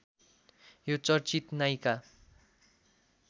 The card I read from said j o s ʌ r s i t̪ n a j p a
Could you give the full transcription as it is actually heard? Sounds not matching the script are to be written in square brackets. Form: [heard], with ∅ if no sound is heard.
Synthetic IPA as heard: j o [t͡s] ʌ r [t͡s] i t̪ n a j [k] a